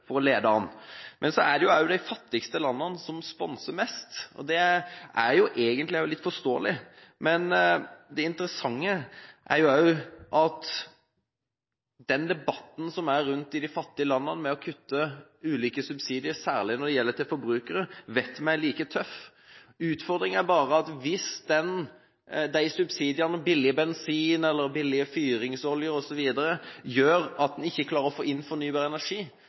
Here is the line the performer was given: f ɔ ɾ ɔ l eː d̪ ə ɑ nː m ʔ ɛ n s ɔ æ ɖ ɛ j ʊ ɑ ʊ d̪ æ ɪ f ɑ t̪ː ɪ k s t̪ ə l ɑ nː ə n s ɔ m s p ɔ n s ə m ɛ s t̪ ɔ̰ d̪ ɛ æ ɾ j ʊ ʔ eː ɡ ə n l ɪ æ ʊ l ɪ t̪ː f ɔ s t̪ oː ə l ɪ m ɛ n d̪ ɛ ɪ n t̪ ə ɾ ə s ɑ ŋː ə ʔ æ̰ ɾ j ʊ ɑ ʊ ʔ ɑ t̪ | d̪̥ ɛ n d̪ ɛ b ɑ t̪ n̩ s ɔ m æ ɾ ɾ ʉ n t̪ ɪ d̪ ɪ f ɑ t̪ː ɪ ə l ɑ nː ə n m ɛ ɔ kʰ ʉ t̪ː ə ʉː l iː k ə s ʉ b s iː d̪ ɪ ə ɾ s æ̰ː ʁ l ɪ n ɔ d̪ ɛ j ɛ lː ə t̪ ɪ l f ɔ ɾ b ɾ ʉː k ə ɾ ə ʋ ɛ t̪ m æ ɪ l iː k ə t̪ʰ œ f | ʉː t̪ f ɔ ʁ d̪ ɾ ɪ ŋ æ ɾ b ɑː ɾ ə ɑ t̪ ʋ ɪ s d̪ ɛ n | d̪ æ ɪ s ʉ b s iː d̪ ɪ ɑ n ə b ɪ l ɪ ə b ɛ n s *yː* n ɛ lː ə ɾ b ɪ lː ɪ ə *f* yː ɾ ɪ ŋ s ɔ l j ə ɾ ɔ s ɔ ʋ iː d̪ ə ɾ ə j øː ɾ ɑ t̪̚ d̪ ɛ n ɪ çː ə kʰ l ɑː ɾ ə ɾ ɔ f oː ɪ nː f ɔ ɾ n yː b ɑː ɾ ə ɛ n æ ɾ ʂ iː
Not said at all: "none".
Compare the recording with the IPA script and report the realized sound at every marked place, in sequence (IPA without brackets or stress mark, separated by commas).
iː, f